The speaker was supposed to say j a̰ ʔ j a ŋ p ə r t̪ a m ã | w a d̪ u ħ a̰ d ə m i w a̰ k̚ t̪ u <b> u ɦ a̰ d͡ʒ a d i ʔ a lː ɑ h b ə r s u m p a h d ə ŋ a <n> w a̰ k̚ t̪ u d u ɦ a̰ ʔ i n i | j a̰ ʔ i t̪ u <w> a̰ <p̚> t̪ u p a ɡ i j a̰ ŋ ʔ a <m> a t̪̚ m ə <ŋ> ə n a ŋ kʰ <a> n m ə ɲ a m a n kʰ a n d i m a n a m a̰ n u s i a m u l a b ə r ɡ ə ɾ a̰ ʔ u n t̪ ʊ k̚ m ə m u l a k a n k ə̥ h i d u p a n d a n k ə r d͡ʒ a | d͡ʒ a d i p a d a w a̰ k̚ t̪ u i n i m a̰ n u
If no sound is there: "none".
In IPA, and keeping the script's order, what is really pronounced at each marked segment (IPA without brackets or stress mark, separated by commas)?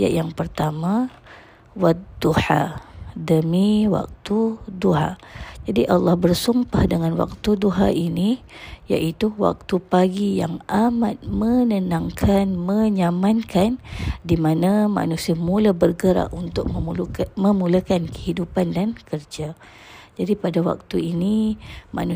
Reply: d, n, w, k̚, m, n, a